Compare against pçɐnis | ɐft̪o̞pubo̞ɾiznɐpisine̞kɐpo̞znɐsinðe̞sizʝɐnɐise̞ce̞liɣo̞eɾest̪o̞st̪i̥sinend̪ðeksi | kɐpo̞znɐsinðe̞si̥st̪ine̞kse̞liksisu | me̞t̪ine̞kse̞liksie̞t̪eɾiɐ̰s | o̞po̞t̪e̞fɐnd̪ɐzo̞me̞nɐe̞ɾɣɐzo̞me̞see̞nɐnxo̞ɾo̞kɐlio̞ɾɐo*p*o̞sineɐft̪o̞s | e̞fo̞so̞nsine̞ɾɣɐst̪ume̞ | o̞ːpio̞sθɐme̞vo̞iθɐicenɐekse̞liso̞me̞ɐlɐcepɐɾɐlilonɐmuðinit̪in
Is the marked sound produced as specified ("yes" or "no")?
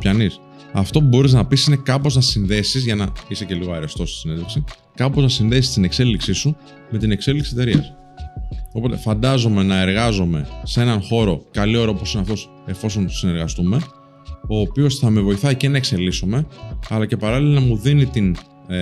yes